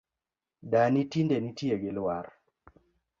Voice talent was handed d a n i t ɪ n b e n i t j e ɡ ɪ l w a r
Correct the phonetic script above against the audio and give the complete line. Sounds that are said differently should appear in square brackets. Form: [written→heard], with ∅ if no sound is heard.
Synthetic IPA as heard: d a n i t [ɪ→i] n [b→d] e n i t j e ɡ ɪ l w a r